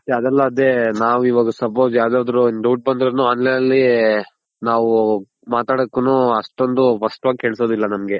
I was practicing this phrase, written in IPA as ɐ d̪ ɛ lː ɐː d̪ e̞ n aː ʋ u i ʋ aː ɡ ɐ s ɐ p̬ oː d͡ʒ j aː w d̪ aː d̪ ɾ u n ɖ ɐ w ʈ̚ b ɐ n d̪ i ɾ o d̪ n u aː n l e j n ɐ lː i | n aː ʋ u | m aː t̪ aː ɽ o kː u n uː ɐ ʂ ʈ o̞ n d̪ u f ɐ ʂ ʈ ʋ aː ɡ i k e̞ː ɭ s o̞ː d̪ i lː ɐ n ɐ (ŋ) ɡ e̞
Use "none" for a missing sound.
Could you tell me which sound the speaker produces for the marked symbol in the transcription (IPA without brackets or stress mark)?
m